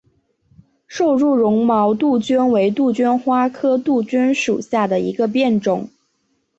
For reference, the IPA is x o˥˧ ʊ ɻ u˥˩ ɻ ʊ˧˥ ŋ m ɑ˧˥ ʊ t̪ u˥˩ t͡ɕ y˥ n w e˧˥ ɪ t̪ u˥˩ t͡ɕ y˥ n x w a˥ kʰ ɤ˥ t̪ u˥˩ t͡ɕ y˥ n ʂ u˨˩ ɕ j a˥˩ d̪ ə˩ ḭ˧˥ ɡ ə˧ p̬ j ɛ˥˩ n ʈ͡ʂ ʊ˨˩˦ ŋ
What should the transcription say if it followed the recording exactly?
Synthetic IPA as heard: ʂ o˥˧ ʊ ɻ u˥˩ ɻ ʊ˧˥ ŋ m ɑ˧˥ ʊ t̪ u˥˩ t͡ɕ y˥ n w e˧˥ ɪ t̪ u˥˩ t͡ɕ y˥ n x w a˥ kʰ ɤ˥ t̪ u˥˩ t͡ɕ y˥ n ʂ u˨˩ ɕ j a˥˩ d̪ ə˩ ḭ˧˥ ɡ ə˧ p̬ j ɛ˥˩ n ʈ͡ʂ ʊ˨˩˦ ŋ